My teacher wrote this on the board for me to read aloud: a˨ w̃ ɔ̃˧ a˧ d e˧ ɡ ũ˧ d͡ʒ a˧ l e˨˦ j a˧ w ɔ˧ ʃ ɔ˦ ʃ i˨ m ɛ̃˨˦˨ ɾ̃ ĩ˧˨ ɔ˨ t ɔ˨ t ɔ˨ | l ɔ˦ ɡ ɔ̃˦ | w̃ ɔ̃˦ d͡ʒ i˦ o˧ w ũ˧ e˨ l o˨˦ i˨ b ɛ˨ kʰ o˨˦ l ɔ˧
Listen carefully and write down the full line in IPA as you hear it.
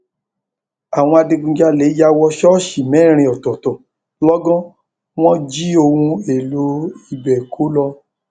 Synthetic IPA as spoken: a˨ w̃ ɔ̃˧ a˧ d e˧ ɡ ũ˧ d͡ʒ a˧ l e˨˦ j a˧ w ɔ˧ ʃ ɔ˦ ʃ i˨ m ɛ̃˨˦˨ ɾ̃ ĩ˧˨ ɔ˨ t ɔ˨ t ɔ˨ | l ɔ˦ ɡ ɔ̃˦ | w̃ ɔ̃˦ d͡ʒ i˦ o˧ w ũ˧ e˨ l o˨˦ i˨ b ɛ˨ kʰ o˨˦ l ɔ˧